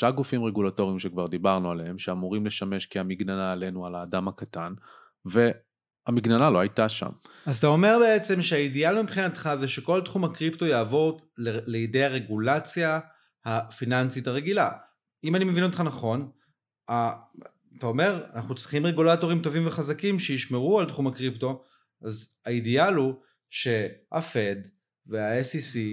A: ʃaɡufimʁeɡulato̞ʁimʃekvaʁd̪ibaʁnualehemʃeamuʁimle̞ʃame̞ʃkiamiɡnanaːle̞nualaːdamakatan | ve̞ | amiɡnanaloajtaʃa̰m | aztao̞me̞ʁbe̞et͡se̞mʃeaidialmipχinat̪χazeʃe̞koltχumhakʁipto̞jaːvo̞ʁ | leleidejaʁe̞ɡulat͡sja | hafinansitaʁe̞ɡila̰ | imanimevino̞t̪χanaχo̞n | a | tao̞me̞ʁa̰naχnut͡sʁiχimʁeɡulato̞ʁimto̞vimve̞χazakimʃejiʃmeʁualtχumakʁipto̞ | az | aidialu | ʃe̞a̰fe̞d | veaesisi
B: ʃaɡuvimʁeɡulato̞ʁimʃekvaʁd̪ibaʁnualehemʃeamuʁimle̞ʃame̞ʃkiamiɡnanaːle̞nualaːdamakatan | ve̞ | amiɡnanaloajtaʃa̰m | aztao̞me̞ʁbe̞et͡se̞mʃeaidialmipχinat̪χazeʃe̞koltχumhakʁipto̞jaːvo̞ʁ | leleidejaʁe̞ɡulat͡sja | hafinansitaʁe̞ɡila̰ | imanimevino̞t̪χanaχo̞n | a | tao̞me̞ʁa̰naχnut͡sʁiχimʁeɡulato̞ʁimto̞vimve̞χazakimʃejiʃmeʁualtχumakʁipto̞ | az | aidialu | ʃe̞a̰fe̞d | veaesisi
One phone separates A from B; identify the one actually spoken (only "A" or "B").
A